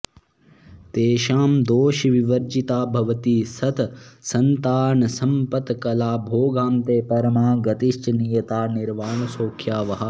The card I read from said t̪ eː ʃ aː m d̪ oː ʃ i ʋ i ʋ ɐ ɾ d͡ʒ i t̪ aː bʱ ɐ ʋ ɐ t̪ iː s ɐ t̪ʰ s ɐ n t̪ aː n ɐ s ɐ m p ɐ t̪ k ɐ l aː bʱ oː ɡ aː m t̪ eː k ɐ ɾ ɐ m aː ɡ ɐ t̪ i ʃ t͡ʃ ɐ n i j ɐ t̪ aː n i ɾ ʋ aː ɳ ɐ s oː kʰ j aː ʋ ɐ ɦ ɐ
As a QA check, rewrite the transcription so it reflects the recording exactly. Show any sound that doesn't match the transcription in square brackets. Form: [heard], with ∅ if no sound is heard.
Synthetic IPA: t̪ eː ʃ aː m d̪ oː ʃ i ʋ i ʋ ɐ ɾ d͡ʒ i t̪ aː bʱ ɐ ʋ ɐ t̪ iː s ɐ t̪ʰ s ɐ n t̪ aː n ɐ s ɐ m p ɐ t̪ k ɐ l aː bʱ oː ɡ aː m t̪ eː [p] ɐ ɾ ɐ m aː ɡ ɐ t̪ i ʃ t͡ʃ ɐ n i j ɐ t̪ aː n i ɾ ʋ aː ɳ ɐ s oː kʰ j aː ʋ ɐ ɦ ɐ